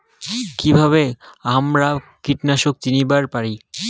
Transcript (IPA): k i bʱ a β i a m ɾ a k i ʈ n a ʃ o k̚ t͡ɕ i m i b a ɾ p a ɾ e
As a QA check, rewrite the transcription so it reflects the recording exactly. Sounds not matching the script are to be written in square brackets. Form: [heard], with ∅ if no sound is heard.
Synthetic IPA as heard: k i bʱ a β [e] a m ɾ a k i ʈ n a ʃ o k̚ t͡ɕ i [n] i b a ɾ p a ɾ [i]